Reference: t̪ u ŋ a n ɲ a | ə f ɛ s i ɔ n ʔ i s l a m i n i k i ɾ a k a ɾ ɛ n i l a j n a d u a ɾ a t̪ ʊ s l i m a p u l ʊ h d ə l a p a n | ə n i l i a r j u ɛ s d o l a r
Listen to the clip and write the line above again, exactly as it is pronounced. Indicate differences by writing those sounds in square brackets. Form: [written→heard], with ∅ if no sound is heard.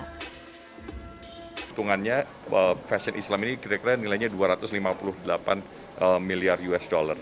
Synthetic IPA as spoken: t̪ u ŋ a n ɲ a | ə f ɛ s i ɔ n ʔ i s l a m i n i k i ɾ a k [a→i] ɾ [ɛ→a] n i l a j [n→ɲ] a d u a ɾ a t̪ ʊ s l i m a p u l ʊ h d ə l a p a n | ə [n→m] i l i a r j u ɛ s d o l a r